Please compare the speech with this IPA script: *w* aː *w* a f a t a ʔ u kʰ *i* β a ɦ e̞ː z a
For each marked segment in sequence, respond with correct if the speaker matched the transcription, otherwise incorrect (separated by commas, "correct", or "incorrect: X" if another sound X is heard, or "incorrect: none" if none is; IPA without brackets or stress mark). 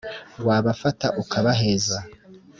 correct, incorrect: β, incorrect: a